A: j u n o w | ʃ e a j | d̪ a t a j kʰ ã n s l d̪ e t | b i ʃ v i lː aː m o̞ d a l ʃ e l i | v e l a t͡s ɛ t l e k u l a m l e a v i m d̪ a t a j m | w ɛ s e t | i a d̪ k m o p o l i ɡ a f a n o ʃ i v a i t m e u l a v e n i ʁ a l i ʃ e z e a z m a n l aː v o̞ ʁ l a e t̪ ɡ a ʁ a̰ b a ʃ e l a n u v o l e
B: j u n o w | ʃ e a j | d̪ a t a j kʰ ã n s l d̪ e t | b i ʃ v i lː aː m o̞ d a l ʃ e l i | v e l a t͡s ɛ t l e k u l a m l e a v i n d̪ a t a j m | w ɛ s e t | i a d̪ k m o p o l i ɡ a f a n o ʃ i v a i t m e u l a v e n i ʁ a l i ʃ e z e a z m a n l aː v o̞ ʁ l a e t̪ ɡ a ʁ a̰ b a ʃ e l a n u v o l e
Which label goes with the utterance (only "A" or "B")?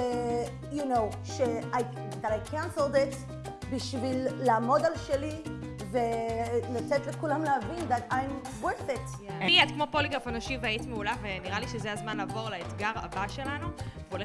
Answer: B